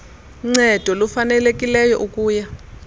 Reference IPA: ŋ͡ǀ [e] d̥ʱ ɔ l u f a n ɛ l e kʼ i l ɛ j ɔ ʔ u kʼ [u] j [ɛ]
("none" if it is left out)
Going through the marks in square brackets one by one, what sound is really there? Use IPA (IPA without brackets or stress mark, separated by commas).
ɛ, uː, a